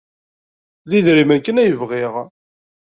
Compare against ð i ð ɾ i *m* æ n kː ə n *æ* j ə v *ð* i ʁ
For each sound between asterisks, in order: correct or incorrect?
correct, correct, incorrect: ʁ

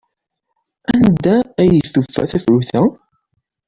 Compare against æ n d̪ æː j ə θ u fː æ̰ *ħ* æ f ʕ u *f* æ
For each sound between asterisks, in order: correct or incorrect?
incorrect: θ, incorrect: θ

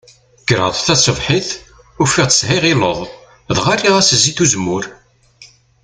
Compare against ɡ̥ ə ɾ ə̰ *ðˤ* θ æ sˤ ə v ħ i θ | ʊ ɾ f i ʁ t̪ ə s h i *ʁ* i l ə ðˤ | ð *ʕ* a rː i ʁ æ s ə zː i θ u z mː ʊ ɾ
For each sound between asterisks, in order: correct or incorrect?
correct, correct, incorrect: ʁ

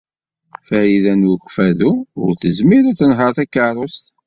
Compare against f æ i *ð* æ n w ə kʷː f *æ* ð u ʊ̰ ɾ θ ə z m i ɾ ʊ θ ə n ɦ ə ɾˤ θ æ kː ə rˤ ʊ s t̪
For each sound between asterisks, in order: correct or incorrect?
correct, correct

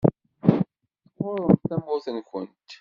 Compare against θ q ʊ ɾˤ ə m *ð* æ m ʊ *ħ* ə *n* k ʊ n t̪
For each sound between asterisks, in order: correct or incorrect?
incorrect: θ, incorrect: θ, correct

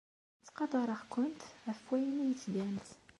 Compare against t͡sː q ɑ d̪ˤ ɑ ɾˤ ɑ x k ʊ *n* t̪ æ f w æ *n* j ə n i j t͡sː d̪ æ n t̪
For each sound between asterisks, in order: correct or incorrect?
correct, incorrect: none

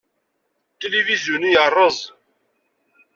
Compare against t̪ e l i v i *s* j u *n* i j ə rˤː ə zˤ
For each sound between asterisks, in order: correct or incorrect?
incorrect: z, correct

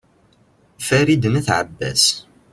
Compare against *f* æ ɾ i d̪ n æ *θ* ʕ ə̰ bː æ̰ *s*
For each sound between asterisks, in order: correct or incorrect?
correct, correct, correct

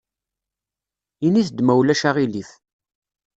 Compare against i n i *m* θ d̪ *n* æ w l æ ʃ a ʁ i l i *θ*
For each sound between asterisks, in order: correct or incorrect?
incorrect: none, incorrect: m, correct

